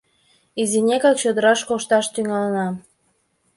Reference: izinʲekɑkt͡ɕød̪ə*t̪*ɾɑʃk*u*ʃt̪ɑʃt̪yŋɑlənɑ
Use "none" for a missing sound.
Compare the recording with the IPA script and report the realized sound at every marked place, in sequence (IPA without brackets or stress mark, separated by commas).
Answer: none, o